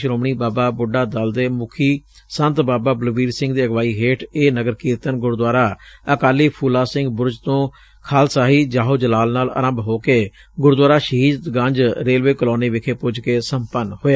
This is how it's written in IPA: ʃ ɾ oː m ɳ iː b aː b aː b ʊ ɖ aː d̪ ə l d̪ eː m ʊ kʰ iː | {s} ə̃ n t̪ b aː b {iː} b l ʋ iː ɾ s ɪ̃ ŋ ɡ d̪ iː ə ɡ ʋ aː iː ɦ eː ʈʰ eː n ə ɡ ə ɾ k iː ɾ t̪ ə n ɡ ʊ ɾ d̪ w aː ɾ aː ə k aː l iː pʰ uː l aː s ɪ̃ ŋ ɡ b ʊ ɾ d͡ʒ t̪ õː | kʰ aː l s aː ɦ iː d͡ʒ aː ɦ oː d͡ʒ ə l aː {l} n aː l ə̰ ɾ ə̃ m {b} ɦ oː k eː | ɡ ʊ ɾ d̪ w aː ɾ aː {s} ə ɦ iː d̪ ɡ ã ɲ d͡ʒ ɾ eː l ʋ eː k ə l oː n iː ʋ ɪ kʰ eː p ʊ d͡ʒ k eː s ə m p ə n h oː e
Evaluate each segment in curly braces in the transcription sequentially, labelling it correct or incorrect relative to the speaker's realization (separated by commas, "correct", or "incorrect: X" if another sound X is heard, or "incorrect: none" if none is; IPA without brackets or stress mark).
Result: correct, incorrect: aː, correct, correct, incorrect: ʃ